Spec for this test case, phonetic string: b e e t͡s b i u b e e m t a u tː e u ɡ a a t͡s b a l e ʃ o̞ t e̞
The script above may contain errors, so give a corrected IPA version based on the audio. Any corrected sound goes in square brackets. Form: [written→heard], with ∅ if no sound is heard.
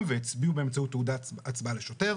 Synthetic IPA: [b→v] e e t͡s b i u b e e m [t→t͡s] a u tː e u [ɡ→d] a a t͡s b a l e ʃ o̞ t e̞

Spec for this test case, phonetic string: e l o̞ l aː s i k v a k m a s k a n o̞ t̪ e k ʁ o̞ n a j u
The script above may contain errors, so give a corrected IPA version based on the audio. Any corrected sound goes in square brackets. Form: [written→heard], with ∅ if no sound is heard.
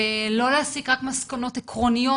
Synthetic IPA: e l o̞ l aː s i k [v→ʁ] a k m a s k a n o̞ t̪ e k ʁ o̞ n [a→i] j [u→o]

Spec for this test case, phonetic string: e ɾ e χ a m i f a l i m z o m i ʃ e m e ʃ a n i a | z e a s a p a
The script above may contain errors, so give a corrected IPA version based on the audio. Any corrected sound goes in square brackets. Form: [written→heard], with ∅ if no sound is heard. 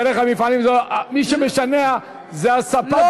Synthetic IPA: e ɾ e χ a m i f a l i m z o m i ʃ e m e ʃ a n [i→e] a | z e a s a p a

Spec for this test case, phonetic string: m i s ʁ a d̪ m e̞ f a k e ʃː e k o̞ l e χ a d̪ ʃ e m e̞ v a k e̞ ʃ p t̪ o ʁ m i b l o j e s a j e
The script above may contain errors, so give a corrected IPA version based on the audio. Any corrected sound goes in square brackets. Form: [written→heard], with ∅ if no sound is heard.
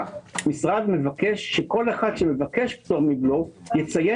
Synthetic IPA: m i s ʁ a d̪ m e̞ [f→v] a k e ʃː e k o̞ l e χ a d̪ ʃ e m e̞ v a k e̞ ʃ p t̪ o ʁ m i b l o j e [s→t͡s] a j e

